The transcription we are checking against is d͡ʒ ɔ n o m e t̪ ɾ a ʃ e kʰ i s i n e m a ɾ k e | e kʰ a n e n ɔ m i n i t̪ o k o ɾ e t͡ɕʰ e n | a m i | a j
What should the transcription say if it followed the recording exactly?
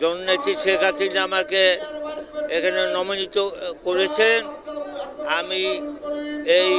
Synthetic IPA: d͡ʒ ɔ n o n e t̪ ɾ i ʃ e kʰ a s i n a m a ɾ k e | e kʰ a n e n ɔ m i n i t̪ o k o ɾ e t͡ɕʰ e n | a m i | e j